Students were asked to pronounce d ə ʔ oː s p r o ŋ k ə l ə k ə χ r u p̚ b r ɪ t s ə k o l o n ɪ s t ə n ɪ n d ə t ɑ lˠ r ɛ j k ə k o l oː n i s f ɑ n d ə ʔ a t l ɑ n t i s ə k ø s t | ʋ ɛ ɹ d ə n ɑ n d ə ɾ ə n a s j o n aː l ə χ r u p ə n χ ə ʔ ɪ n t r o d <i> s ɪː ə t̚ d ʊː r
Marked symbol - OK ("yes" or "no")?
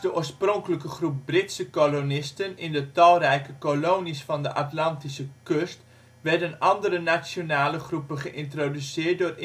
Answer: no